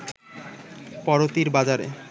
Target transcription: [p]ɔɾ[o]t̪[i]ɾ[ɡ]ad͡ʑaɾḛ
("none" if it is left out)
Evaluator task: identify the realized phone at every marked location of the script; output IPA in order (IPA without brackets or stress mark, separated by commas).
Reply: p, o, i, b